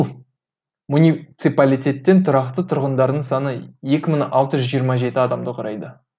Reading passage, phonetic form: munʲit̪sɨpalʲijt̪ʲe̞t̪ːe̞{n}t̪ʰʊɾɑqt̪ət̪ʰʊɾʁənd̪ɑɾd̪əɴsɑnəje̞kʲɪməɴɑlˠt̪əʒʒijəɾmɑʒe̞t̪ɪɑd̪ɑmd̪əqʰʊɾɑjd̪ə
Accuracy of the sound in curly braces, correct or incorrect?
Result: correct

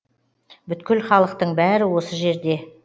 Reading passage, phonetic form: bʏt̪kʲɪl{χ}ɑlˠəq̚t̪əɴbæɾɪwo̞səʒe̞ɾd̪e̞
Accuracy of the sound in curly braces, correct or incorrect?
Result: correct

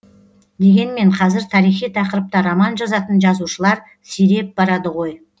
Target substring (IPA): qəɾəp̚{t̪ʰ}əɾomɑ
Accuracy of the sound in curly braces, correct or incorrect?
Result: incorrect: t̪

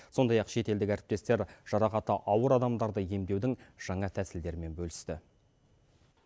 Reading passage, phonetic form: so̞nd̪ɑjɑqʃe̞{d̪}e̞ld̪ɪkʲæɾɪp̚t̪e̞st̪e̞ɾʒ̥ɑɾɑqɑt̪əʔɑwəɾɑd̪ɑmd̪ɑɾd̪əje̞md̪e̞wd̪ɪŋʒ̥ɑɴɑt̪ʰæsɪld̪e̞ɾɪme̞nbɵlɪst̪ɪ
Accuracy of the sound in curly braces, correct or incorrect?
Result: incorrect: t̪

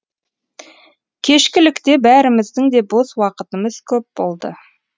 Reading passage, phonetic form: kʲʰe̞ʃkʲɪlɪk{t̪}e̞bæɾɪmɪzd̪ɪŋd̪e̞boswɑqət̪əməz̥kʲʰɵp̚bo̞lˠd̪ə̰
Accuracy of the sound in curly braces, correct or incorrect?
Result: correct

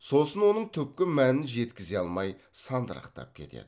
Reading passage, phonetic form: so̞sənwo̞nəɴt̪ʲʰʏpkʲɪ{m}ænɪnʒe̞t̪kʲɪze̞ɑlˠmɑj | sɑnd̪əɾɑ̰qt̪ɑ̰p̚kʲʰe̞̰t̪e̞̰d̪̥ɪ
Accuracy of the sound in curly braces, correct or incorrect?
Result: correct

